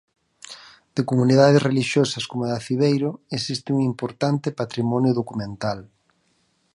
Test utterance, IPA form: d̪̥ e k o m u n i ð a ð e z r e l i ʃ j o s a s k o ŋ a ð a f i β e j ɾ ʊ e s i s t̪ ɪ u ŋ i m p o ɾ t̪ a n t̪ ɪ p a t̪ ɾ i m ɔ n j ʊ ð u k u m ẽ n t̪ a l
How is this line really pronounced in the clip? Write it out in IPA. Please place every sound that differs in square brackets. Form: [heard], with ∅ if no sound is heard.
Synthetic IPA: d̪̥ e k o m u n i ð a ð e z r e l i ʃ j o s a s k o [m] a ð a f i β e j ɾ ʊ e s i s t̪ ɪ u ŋ i m p o ɾ t̪ a n t̪ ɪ p a t̪ ɾ i m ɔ n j ʊ ð [o] k u m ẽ n t̪ a l

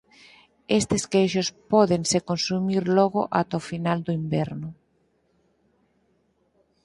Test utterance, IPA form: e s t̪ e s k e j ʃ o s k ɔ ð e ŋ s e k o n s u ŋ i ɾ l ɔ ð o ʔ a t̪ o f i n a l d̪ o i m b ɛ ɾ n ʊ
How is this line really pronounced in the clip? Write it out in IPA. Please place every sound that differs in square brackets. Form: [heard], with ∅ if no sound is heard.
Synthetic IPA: e s t̪ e s k e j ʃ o s [p] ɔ ð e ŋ s e k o n s u [m] i ɾ l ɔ [ɣ] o ʔ a t̪ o f i n a l d̪ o i m b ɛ ɾ n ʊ

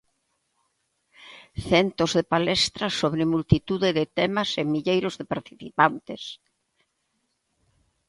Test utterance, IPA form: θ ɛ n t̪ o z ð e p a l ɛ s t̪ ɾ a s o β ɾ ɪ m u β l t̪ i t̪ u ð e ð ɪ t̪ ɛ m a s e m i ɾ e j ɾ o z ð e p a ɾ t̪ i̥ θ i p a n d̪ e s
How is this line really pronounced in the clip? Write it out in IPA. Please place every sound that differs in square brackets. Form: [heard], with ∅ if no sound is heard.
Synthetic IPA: θ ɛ n t̪ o z ð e p a l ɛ s t̪ ɾ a s o β ɾ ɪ m u [∅] l t̪ i t̪ u ð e ð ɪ t̪ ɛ m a s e m i [ʎ] e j ɾ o z ð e p a ɾ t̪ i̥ θ i p a n [t̪] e s

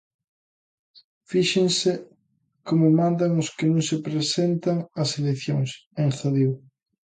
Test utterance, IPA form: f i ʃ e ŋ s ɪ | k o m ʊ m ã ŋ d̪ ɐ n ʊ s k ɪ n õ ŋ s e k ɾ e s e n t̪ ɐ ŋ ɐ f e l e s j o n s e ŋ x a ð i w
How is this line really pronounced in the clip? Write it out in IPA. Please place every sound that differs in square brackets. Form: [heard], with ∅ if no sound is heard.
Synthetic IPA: f i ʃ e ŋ s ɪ | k o m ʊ m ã [n] d̪ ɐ [ŋ] ʊ s k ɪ n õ ŋ s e [p] ɾ e s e n t̪ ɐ ŋ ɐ [s] e l e [θ] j o [ŋ] s e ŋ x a ð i w

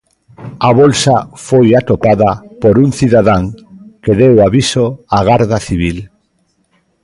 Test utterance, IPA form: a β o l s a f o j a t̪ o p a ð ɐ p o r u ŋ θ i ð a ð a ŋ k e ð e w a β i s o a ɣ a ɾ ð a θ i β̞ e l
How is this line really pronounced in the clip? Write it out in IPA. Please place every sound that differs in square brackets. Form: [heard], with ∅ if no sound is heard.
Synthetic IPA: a β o l s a f o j a t̪ o p a ð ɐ p o [ɾ] u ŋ θ i ð a ð a ŋ k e ð e w a β i s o a ɣ a ɾ ð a θ i β̞ [i] l

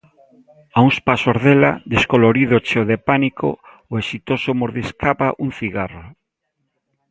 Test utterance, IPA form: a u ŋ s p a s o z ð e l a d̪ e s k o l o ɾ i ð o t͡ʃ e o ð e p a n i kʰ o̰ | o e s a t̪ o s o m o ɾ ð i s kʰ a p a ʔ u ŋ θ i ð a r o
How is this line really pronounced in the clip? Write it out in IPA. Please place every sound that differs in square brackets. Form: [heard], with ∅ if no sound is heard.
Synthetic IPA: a u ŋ s p a s o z ð e l a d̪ e s k o l o ɾ i ð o t͡ʃ e o ð e p a n i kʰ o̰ | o e s [i] t̪ o s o m o ɾ ð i s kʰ a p a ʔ u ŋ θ i [ɣ] a r o

